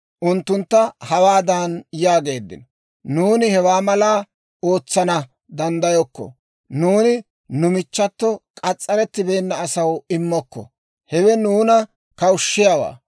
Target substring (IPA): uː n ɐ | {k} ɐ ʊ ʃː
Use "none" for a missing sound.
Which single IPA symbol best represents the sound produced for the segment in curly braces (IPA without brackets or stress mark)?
k